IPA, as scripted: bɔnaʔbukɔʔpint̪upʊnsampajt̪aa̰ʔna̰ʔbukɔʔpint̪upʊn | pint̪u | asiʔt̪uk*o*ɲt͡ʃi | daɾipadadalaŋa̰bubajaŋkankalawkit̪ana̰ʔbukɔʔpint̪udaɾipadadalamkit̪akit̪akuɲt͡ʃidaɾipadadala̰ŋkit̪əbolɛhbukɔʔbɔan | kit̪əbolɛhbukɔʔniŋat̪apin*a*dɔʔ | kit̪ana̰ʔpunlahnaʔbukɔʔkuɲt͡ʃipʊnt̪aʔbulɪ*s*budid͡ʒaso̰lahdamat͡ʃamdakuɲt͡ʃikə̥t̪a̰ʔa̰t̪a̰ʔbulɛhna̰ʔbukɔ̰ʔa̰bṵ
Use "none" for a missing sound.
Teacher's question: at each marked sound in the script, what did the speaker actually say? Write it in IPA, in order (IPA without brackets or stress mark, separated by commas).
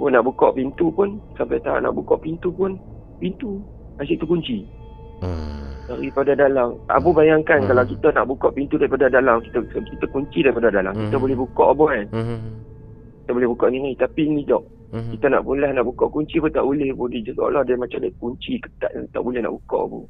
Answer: u, i, h